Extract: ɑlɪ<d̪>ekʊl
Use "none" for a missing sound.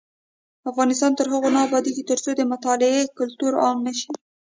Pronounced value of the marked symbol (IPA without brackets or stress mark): none